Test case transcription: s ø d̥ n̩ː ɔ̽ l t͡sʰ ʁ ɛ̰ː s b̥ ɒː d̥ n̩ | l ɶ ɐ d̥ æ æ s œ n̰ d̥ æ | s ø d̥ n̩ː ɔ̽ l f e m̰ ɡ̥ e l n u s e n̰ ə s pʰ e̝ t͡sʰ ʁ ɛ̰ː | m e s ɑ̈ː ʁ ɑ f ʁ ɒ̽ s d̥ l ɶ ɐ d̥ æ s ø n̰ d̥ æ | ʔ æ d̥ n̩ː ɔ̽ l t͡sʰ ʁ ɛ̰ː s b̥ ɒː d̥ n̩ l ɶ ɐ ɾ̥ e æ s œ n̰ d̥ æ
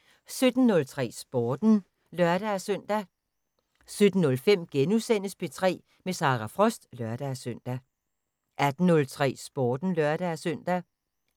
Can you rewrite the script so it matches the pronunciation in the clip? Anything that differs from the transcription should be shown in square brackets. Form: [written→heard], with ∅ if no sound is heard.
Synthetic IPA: s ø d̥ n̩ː ɔ̽ l t͡sʰ ʁ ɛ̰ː s b̥ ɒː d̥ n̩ | l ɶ ɐ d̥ æ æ s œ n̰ d̥ æ | s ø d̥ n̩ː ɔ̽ l f e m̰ ɡ̥ e [l→∅] n u s e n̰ ə s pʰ e̝ t͡sʰ ʁ ɛ̰ː | m e s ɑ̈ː ʁ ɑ f ʁ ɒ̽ s d̥ l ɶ ɐ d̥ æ s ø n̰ d̥ æ | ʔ æ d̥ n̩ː ɔ̽ l t͡sʰ ʁ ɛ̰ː s b̥ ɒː d̥ n̩ l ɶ ɐ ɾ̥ [e→æ] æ s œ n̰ d̥ æ